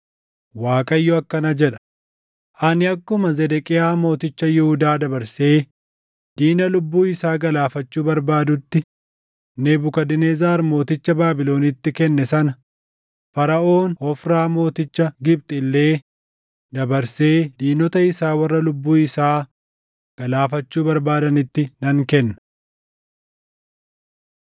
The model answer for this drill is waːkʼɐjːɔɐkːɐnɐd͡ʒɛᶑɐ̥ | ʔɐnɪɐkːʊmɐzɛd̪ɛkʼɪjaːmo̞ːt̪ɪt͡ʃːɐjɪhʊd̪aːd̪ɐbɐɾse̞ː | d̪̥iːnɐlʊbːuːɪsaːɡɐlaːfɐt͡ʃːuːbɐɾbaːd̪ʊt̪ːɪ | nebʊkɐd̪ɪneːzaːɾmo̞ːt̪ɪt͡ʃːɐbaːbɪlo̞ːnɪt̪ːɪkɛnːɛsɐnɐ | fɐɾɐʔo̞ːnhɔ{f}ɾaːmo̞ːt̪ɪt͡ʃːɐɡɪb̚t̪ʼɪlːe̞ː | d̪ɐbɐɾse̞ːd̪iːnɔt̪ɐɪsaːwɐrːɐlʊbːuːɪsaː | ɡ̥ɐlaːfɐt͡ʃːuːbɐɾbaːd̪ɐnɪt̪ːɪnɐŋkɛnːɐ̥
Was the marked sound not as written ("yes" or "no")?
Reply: no